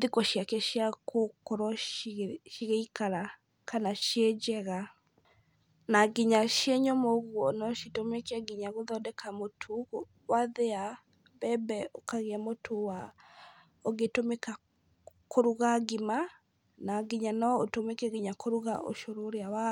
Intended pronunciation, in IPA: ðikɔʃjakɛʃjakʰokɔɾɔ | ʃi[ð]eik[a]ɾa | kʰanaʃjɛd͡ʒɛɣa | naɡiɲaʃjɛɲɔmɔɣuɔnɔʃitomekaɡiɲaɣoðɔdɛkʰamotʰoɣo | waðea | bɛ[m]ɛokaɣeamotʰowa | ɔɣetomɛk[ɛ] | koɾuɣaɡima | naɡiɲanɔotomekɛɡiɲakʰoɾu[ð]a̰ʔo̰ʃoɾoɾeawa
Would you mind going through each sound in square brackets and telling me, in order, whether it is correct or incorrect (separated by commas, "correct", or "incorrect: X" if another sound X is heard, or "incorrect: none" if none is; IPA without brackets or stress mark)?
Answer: incorrect: ɣ, correct, incorrect: b, incorrect: a, incorrect: ɣ